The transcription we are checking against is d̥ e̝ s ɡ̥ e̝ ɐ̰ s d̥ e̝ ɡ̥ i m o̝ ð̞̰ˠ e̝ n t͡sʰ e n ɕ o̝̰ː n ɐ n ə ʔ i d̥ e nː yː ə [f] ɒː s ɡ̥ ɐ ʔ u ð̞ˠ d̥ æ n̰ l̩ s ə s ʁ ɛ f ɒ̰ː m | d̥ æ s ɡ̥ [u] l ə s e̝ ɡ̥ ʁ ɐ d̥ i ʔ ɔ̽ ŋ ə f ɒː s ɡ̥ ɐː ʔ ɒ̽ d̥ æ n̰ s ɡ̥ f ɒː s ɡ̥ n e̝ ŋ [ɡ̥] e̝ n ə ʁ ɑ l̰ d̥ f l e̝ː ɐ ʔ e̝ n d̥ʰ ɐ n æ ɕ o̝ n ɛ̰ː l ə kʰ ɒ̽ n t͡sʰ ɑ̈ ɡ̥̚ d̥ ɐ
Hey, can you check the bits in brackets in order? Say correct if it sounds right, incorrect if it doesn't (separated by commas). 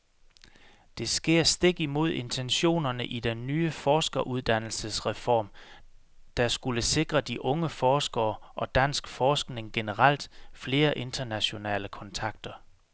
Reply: correct, correct, correct